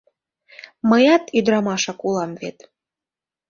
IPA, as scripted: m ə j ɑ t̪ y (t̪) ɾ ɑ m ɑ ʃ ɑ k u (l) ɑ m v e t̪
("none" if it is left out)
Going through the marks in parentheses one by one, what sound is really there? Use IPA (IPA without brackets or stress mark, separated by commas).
d̪, l